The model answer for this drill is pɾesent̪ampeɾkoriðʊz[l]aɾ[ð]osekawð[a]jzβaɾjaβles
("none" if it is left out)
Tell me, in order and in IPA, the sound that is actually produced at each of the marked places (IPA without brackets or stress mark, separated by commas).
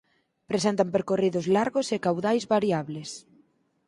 l, ɣ, a